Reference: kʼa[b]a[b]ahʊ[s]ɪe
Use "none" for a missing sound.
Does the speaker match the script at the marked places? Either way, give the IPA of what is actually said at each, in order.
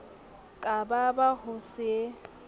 b, b, s

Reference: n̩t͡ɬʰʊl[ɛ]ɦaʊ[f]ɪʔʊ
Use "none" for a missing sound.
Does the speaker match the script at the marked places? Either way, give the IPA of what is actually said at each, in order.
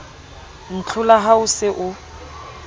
a, s

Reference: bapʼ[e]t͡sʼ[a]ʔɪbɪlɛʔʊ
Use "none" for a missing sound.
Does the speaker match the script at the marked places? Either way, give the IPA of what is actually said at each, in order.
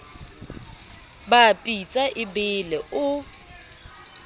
i, a

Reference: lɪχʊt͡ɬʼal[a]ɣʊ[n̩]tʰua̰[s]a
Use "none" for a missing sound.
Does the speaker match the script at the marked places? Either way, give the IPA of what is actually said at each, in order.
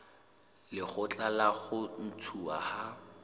a, n̩, h

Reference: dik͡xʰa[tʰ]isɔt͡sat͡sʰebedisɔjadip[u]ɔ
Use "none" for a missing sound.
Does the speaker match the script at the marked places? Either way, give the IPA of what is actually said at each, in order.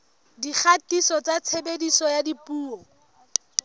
t, uː

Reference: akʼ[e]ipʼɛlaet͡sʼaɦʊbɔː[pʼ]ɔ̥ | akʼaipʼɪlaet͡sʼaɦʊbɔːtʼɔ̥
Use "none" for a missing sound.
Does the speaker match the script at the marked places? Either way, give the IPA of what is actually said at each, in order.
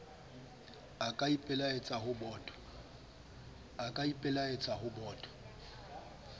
a, tʼ

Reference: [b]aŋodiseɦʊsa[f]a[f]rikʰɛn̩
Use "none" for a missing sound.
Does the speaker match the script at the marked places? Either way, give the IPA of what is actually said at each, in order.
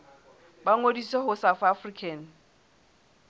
b, f, f

